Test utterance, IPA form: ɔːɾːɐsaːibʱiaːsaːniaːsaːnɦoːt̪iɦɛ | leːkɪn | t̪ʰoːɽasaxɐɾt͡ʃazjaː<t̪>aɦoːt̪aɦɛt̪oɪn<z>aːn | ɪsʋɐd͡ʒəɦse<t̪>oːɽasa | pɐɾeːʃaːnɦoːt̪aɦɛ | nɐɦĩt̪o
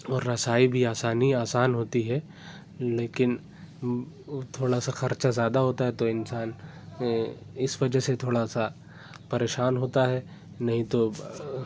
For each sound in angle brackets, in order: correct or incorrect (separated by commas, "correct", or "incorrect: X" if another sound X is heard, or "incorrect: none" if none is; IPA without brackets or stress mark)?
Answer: incorrect: d̪, incorrect: s, incorrect: t̪ʰ